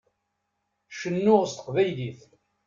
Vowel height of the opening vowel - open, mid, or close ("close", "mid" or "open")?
mid